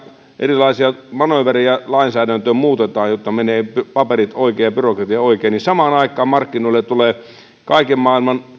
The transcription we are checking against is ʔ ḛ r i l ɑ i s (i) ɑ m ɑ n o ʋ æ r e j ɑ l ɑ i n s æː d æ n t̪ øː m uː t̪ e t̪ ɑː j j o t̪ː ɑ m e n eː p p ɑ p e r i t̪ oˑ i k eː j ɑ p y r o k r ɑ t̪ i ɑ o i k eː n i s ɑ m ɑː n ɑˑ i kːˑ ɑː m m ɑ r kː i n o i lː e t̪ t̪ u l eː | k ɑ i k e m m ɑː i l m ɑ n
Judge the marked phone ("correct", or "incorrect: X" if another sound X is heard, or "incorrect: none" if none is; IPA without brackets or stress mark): correct